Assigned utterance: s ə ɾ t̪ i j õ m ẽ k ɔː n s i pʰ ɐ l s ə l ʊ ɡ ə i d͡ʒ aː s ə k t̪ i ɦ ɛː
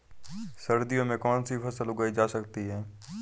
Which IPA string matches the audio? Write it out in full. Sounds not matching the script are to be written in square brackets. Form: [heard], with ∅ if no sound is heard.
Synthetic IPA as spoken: s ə ɾ [d̪] i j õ m ẽ k ɔː n s i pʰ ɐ [∅] s ə l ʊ ɡ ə i d͡ʒ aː s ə k t̪ i ɦ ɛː